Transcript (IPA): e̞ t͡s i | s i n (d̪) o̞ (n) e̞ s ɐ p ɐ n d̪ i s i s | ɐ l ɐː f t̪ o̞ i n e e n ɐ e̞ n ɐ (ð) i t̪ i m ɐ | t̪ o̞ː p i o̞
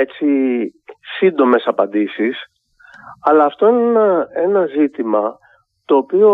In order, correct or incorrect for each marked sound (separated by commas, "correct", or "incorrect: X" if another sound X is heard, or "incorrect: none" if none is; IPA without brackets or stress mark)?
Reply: correct, incorrect: m, incorrect: z